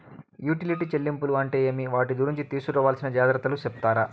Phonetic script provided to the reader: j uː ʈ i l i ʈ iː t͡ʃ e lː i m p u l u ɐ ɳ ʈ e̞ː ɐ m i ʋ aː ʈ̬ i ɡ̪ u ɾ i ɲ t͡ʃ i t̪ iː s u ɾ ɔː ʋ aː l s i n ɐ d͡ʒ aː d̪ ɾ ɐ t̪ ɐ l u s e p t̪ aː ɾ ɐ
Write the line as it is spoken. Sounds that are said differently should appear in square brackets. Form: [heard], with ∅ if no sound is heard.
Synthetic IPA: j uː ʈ i l i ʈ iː t͡ʃ e lː i m p u l u ɐ ɳ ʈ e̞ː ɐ m i ʋ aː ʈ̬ i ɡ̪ u ɾ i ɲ t͡ʃ i t̪ iː s u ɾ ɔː ʋ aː l s i n ɐ d͡ʒ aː d̪ ɾ ɐ t̪ ɐ l u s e p t̪ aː ɾ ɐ